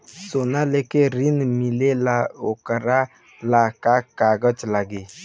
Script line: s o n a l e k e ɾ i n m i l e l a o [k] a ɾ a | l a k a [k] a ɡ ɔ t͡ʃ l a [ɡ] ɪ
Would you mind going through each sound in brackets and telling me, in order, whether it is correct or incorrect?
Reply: correct, correct, correct

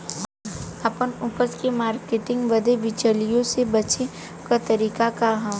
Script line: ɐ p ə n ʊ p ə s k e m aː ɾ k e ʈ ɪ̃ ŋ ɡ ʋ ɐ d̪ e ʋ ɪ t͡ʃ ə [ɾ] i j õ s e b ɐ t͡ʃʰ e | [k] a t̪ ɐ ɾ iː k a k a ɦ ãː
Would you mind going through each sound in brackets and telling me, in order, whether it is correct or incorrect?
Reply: incorrect: l, correct

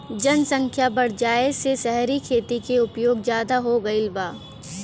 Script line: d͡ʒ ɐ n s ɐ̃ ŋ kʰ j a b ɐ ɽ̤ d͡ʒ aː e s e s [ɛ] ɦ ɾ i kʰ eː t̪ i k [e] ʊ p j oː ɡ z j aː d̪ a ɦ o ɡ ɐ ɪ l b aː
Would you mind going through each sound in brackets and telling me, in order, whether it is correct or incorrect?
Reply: correct, correct

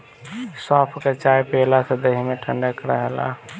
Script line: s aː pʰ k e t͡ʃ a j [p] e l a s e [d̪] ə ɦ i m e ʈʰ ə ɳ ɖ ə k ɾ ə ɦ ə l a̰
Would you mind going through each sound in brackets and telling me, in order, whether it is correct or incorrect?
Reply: correct, correct

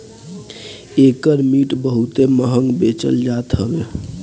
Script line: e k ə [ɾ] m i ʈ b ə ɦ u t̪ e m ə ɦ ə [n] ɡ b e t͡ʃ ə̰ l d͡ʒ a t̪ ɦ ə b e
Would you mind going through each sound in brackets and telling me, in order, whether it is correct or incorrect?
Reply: correct, incorrect: ŋ

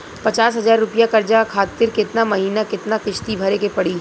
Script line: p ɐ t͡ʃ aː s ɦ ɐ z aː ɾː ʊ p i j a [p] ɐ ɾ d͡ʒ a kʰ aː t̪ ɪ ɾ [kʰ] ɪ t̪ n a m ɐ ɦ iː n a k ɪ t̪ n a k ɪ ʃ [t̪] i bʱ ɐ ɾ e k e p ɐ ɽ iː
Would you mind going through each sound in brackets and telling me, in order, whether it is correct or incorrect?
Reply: incorrect: k, incorrect: k, correct

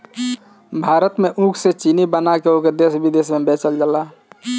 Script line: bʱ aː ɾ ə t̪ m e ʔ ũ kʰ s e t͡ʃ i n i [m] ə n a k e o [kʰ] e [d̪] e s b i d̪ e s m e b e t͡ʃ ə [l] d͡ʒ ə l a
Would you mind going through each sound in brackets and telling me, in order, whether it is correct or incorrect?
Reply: incorrect: b, incorrect: k, correct, correct

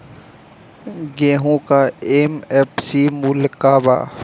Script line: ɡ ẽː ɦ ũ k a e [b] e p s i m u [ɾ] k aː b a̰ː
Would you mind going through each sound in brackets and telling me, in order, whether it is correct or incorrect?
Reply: incorrect: m, incorrect: l

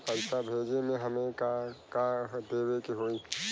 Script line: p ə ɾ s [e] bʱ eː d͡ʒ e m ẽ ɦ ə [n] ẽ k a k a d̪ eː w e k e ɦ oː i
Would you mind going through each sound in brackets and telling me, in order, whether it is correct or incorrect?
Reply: incorrect: a, incorrect: m

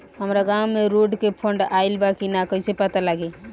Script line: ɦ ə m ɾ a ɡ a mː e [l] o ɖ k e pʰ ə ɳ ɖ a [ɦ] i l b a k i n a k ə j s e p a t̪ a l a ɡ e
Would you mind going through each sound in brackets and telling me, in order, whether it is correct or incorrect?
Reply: incorrect: ɾ, incorrect: none

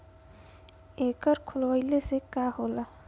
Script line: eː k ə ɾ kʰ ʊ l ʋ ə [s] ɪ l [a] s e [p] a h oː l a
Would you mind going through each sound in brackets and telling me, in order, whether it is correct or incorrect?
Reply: incorrect: none, incorrect: e, incorrect: k

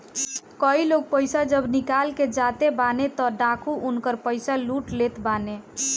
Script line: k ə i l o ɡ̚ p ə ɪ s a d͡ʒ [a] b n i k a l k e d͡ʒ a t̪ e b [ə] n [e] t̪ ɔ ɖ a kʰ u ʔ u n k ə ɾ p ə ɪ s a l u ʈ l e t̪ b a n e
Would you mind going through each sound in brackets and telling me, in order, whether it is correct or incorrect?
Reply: incorrect: ə, incorrect: a, correct

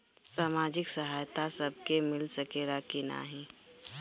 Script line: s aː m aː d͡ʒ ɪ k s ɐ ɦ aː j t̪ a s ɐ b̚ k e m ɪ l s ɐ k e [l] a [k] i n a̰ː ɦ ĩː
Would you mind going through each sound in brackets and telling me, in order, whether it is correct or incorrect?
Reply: incorrect: ɾ, correct

